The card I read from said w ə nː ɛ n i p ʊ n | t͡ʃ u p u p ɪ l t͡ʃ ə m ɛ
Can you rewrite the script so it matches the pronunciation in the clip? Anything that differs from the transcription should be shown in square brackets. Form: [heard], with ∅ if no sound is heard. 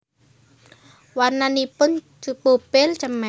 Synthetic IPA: w [a] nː [a] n i p ʊ n | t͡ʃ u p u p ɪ l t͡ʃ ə m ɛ